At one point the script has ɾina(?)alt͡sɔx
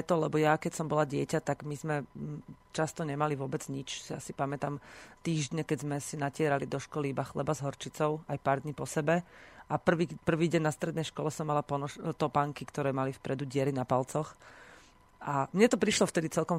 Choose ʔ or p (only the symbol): p